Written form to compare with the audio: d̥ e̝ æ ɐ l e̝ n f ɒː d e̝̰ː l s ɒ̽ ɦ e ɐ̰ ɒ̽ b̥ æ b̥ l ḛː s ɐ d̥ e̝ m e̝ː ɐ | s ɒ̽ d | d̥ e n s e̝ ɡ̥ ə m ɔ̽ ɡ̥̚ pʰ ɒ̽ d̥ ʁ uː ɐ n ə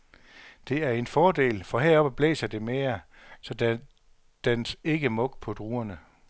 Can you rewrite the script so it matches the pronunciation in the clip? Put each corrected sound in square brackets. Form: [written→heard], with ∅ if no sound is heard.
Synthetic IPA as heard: d̥ e̝ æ ɐ [l→∅] e̝ n f ɒː d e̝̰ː l [s→f] ɒ̽ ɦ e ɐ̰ ɒ̽ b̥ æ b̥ l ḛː s ɐ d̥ e̝ m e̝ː ɐ | s ɒ̽ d | d̥ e n s e̝ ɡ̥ ə m ɔ̽ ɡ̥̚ pʰ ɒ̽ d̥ ʁ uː ɐ n ə